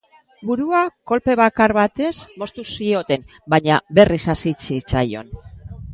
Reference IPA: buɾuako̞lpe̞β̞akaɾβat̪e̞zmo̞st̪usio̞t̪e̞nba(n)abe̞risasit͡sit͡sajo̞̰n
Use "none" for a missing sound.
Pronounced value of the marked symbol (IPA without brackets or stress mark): ɲ